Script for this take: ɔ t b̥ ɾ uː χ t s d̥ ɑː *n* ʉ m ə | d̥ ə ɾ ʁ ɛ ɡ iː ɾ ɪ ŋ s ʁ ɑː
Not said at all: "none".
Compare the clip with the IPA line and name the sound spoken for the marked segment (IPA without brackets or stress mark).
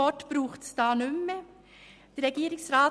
n